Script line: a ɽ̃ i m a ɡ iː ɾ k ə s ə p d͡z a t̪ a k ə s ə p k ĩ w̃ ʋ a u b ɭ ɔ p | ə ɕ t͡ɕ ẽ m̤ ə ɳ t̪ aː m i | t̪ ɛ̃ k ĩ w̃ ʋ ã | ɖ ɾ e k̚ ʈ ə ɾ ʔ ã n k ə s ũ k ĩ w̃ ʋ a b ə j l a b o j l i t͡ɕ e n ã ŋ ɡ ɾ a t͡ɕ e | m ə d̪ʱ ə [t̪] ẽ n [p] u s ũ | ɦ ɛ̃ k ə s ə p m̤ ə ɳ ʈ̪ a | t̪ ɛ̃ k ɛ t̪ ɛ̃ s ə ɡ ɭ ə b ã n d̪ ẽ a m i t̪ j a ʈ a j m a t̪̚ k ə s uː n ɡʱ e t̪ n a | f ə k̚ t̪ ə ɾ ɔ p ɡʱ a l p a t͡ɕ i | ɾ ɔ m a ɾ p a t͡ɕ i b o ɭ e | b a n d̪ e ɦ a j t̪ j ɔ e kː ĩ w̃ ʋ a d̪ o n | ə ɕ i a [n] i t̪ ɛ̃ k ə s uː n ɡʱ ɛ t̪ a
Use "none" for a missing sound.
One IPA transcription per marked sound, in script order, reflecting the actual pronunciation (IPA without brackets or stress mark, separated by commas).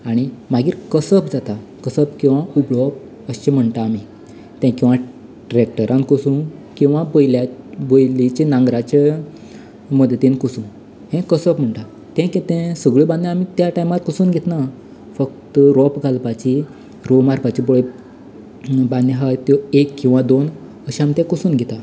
t̪, k, m